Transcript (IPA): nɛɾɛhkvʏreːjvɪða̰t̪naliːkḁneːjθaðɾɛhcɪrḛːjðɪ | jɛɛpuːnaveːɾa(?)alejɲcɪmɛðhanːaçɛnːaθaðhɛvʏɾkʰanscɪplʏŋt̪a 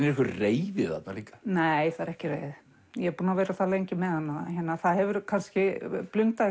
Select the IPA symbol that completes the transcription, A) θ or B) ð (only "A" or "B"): A